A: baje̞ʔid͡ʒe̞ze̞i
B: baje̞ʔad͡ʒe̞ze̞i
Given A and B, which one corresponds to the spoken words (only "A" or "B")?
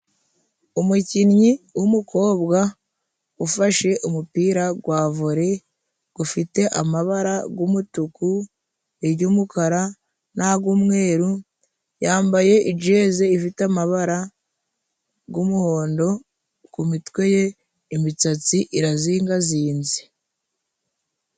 A